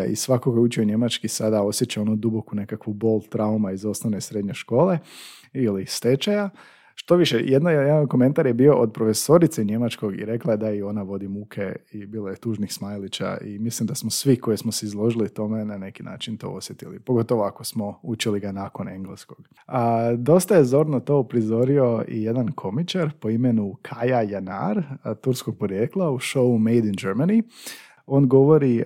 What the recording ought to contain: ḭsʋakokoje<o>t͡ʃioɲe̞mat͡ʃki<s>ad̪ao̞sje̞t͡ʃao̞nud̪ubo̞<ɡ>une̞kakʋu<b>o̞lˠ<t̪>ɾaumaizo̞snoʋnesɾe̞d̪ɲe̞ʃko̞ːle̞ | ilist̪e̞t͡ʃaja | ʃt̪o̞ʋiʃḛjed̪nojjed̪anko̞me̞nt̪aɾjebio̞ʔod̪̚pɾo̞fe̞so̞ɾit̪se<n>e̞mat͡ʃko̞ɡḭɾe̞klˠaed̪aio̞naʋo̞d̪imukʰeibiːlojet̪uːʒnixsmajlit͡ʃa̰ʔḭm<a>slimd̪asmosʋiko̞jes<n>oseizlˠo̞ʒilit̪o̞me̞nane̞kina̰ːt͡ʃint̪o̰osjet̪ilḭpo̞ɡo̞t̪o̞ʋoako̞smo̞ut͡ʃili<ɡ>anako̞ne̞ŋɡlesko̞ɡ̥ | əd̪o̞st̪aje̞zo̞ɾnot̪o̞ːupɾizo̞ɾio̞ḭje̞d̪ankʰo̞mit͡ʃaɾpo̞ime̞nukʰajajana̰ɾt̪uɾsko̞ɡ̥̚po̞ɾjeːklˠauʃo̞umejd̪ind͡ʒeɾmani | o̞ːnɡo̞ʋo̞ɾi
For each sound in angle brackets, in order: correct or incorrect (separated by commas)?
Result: incorrect, correct, incorrect, correct, correct, incorrect, incorrect, incorrect, correct